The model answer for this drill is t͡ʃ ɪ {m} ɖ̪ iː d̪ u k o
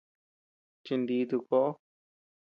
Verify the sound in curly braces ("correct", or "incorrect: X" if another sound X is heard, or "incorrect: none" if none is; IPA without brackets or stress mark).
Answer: incorrect: n